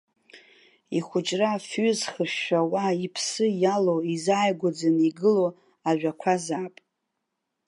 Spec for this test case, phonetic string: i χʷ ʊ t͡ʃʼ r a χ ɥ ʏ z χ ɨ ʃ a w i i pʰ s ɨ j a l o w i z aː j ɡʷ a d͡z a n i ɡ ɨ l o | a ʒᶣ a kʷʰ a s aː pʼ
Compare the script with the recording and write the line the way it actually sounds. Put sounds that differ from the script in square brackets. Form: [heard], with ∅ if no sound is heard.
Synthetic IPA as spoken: i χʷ ʊ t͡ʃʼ r a [f] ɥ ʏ z χ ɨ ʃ a w [a] i pʰ s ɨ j a l o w i z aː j ɡʷ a d͡z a n i ɡ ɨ l o | a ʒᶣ a kʷʰ a [z] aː pʼ